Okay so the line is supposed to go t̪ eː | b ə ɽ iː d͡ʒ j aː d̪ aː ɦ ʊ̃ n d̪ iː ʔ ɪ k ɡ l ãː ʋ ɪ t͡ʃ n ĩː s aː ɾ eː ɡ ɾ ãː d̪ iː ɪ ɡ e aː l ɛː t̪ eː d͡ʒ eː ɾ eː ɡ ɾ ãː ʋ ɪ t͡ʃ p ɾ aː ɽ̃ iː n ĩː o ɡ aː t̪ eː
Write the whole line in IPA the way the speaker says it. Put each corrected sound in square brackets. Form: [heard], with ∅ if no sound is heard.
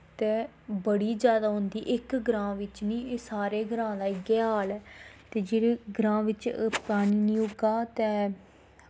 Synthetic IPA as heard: t̪ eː | b ə ɽ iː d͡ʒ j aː d̪ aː ɦ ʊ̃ n d̪ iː ʔ ɪ k ɡ [ɾ] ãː ʋ ɪ t͡ʃ n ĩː s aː ɾ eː ɡ ɾ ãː d̪ [aː] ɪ ɡ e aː l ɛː t̪ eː d͡ʒ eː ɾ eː ɡ ɾ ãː ʋ ɪ t͡ʃ p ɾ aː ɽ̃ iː n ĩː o ɡ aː t̪ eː